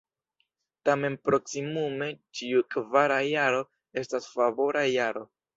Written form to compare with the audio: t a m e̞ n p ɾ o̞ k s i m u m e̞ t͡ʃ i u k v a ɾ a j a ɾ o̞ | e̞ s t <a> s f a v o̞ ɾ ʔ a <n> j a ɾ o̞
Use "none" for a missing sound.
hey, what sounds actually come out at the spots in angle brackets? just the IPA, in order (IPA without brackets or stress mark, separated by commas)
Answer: a, none